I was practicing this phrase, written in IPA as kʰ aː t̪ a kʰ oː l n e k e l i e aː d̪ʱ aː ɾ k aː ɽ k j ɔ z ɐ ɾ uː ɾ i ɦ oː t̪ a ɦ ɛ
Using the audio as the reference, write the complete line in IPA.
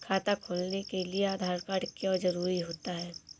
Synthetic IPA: kʰ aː t̪ a kʰ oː l n e k e l i e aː d̪ʱ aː ɾ k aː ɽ k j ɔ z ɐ ɾ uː ɾ i ɦ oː t̪ a ɦ ɛː

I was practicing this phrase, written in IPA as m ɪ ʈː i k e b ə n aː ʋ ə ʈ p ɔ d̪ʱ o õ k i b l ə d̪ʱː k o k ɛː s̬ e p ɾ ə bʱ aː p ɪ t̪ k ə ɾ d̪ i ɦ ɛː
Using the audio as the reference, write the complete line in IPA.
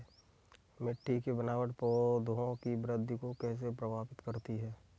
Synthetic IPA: m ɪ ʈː i k e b ə n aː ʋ ə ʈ p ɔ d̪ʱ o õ k i b ɾ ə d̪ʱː k o k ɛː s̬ e p ɾ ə bʱ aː p ɪ t̪ k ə ɾ t̪ i ɦ ɛː

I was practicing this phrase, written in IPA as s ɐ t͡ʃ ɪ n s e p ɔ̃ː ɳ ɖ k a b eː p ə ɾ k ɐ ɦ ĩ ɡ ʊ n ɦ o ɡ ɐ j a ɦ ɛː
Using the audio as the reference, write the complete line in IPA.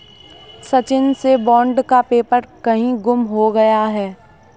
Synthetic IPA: s ɐ t͡ʃ ɪ n s e b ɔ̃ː ɳ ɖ k a p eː p ə ɾ k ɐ ɦ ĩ ɡ ʊ m ɦ o ɡ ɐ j a ɦ ɛː

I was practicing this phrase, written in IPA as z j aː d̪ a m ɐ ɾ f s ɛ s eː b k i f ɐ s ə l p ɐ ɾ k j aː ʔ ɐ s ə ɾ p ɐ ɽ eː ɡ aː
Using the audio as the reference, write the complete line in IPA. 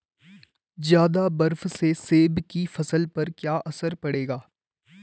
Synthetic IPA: z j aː d̪ a b ɐ ɾ f s e s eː b k i f ɐ s ə l p ɐ ɾ k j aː ʔ ɐ s ə ɾ p ɐ ɽ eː ɡ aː

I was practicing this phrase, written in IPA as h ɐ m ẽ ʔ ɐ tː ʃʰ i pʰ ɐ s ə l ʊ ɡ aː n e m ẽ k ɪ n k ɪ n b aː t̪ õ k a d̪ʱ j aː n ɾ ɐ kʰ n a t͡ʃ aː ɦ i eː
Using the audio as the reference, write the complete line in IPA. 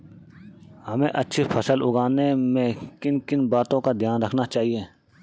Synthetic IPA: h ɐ m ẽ ʔ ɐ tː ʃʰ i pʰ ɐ s ə l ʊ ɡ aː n e m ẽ k ɪ n k ɪ n b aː t̪ õ k a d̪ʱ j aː n ɾ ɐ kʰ n a t͡ʃ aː ɦ i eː

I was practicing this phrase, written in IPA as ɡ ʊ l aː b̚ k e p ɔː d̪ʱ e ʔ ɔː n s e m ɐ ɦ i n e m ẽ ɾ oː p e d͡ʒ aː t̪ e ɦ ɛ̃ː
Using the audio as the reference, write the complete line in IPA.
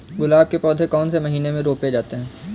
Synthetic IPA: ɡ ʊ l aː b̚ k e p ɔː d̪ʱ e k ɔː n s e m ɐ ɦ iː n e m ẽ ɾ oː p e d͡ʒ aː t̪ e ɦ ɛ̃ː

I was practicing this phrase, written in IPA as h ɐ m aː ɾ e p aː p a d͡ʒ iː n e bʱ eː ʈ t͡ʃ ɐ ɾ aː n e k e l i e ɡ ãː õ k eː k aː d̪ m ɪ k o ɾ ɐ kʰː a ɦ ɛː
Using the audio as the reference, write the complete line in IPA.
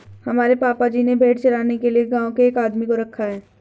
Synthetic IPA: h ɐ m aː ɾ e p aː p a d͡ʒ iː n e bʱ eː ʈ t͡ʃ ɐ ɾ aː n e k e l i e ɡ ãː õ k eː k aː d̪ m i k o ɾ ɐ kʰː a ɦ ɛː

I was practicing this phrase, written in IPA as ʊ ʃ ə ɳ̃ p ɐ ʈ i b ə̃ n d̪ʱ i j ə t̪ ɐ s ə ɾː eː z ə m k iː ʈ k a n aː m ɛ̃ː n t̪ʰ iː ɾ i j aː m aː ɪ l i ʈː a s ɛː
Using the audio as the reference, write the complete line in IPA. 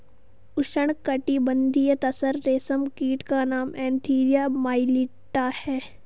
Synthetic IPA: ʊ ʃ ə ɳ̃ k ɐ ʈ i b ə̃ n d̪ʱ i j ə t̪ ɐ s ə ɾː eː s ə m k iː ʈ k a n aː m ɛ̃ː n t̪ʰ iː ɾ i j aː m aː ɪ l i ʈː a h ɛː

